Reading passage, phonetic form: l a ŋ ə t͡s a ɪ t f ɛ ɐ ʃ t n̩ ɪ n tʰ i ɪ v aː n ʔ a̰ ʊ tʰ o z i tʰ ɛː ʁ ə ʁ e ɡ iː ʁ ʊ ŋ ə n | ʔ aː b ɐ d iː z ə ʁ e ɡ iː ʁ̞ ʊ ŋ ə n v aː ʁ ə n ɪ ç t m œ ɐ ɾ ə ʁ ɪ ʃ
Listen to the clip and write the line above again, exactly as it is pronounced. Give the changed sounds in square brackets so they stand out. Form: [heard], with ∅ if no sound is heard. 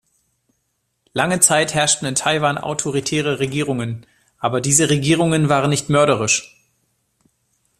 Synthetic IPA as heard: l a ŋ ə t͡s a ɪ t [h] ɛ ɐ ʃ t n̩ ɪ n tʰ [a] ɪ v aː n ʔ a̰ ʊ tʰ o [ʁ] i tʰ ɛː ʁ ə ʁ e ɡ iː ʁ ʊ ŋ ə n | ʔ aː b ɐ d iː z ə ʁ e ɡ iː ʁ̞ ʊ ŋ ə n v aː ʁ ə n ɪ ç t m œ ɐ ɾ ə ʁ ɪ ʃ